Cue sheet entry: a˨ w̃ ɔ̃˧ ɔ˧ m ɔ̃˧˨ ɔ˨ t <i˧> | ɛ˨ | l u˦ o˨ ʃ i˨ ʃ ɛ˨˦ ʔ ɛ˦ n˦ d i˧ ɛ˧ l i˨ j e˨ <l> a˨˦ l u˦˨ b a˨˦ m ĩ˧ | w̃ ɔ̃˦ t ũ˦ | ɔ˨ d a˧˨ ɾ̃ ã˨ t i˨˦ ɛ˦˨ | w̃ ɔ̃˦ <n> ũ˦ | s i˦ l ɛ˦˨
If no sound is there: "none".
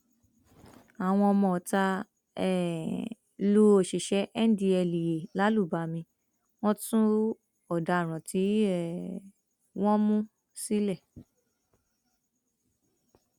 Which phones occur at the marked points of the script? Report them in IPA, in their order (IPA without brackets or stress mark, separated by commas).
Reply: a˧, l, m